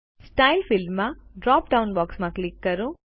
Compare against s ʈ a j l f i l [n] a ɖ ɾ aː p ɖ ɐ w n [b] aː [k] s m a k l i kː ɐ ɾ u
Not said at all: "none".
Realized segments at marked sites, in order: m, b, k

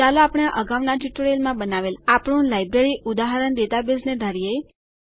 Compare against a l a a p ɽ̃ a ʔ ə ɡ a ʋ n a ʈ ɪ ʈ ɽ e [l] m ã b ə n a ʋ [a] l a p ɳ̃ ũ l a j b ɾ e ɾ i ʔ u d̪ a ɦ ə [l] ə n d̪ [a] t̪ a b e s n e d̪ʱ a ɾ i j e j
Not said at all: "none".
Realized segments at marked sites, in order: l, e, ɾ, e

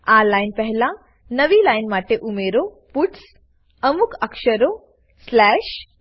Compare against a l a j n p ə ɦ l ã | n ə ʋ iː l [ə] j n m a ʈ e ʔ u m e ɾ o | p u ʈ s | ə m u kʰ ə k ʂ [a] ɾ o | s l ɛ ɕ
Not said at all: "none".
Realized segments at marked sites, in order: a, ə

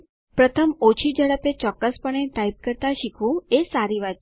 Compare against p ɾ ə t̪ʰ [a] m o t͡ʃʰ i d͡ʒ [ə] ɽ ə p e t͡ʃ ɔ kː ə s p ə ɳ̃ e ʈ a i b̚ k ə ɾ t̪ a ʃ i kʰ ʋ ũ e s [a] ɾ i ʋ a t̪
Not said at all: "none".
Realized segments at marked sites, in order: ə, ə, a

